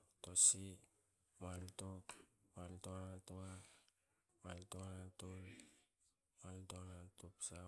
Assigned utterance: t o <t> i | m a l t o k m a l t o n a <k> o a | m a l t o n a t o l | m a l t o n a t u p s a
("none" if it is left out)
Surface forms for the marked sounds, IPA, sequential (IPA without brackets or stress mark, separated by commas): s, t